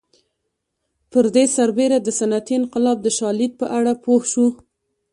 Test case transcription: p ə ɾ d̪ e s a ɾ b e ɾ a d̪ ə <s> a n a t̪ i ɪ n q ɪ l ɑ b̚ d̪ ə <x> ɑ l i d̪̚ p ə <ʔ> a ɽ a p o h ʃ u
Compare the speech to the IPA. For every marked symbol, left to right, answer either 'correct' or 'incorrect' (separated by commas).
correct, incorrect, correct